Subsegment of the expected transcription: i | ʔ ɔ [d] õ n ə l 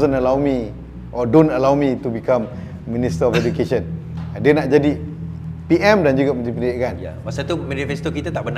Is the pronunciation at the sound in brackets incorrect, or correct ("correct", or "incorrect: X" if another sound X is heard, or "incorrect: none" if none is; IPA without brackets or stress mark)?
correct